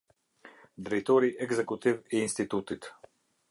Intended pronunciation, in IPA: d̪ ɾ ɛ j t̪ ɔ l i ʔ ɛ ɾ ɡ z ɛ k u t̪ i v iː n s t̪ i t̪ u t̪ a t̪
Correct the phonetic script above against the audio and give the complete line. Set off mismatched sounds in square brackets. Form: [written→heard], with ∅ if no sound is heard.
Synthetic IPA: d̪ ɾ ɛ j t̪ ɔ [l→ɾ] i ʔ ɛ [ɾ→∅] ɡ z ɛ k u t̪ i v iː n s t̪ i t̪ u t̪ [a→i] t̪